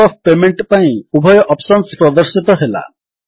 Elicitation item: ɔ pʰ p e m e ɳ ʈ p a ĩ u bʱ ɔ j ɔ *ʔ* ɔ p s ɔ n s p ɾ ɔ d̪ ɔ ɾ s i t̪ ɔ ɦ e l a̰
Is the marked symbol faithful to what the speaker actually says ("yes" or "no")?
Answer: yes